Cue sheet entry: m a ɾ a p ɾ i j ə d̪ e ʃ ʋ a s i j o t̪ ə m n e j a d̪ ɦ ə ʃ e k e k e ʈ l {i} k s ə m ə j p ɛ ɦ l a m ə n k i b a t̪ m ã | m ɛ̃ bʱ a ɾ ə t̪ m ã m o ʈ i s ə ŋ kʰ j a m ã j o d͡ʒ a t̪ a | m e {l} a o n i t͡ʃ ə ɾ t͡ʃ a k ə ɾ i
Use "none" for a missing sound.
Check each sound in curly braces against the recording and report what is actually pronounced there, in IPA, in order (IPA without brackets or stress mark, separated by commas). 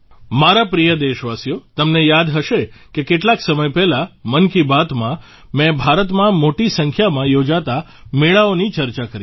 a, ɭ